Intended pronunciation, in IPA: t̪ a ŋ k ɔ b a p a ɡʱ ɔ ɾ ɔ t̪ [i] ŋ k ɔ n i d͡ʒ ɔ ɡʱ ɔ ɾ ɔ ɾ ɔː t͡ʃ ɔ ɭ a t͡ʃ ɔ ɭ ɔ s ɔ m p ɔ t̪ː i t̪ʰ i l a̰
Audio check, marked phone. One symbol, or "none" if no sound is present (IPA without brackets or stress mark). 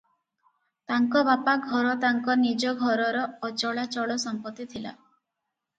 a